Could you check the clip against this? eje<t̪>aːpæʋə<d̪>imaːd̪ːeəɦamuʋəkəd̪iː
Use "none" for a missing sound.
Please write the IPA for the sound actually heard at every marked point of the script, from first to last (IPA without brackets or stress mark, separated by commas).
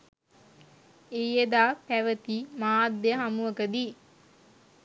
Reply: d̪, t̪